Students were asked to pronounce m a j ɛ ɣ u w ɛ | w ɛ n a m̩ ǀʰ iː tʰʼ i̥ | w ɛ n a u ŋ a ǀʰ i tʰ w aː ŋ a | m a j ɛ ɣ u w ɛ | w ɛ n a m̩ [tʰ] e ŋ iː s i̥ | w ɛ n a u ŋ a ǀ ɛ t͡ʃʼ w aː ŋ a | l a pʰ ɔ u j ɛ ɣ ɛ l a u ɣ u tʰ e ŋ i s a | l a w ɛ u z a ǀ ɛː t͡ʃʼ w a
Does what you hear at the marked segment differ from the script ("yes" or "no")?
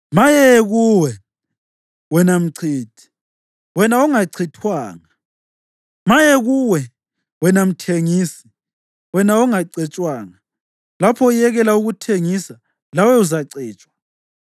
no